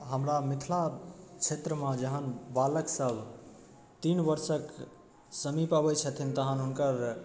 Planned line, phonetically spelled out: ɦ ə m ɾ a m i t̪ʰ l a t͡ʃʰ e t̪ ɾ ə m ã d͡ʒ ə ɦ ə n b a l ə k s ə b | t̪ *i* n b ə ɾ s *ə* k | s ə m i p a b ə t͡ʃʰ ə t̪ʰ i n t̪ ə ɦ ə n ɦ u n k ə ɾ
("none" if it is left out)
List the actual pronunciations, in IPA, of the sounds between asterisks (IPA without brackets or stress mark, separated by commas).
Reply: i, ə